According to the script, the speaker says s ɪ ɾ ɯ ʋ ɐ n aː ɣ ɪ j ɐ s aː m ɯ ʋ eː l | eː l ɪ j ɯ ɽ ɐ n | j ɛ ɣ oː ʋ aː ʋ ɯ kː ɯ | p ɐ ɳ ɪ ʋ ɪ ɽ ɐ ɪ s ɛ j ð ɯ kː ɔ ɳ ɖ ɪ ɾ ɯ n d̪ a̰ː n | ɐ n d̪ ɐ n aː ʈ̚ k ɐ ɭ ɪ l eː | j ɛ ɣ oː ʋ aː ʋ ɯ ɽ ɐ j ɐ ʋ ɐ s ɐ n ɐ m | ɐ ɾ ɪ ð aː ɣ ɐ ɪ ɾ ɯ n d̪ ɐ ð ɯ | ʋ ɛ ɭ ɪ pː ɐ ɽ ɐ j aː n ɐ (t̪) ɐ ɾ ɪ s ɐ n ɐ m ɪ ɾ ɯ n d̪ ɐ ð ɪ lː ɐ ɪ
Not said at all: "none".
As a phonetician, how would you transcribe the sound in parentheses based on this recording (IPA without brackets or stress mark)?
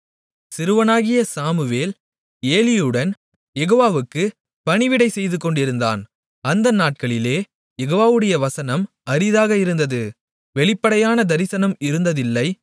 d̪